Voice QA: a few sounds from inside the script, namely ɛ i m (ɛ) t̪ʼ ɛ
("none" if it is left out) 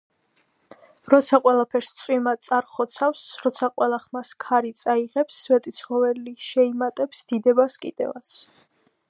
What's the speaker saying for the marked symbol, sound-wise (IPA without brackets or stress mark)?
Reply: a